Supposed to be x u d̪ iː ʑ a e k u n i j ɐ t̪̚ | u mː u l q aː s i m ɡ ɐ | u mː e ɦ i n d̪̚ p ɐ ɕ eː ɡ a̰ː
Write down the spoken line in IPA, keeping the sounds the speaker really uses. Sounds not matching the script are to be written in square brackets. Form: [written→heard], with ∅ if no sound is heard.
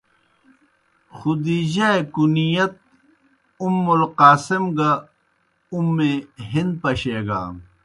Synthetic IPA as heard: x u d̪ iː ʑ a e k u n i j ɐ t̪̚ | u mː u l q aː s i m ɡ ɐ | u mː e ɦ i n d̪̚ p ɐ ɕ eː ɡ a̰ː

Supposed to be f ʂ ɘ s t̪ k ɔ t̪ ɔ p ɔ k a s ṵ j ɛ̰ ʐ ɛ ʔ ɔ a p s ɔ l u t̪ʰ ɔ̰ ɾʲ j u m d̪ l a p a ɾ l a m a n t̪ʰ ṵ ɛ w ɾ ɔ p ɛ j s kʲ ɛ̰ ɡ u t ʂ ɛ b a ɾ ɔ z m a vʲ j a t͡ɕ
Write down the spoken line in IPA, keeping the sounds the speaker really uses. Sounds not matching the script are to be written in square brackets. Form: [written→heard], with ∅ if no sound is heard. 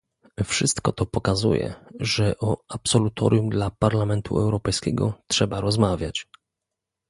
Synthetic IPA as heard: f ʂ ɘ s t̪ k ɔ t̪ ɔ p ɔ k a [s→z] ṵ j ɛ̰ ʐ ɛ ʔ ɔ a p s ɔ l u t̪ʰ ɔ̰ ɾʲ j u m d̪ l a p a ɾ l a m [a→ɛ] n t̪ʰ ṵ ɛ w ɾ ɔ p ɛ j s kʲ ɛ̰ ɡ [u→ɔ] t ʂ ɛ b a ɾ ɔ z m a vʲ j a t͡ɕ

